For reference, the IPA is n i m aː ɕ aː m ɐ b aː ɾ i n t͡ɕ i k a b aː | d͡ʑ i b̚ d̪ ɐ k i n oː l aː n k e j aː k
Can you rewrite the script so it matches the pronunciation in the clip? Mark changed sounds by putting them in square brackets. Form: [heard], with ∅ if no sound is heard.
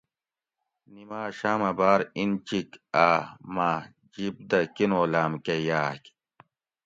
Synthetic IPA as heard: n i m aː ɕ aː m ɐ b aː ɾ i n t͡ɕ i k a [m] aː | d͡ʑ i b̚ d̪ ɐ k i n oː l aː [m] k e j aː k